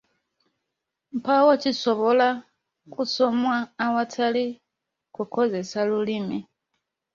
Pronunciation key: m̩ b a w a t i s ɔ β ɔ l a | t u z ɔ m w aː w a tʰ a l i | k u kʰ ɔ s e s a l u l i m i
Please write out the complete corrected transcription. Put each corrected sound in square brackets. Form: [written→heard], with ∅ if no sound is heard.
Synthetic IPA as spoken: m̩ [b→p] a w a [t→t͡ʃ] i s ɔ β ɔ l a | [t→k] u [z→s] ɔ m w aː w a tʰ a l i | k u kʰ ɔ [s→z] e s a l u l i m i